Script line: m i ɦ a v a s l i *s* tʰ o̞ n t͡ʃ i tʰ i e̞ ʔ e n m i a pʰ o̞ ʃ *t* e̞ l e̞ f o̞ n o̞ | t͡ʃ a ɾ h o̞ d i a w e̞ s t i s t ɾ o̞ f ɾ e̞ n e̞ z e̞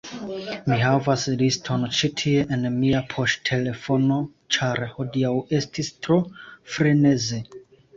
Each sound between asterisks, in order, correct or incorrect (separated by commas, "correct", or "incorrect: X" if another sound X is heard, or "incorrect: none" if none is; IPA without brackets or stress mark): correct, incorrect: tʰ